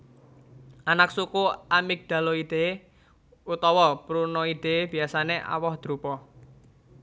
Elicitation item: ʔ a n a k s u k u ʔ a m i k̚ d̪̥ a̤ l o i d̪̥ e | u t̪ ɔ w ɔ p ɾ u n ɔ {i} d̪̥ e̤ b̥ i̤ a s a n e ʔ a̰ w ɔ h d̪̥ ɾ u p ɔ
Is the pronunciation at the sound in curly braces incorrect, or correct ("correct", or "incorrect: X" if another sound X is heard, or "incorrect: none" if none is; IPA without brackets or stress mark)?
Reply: correct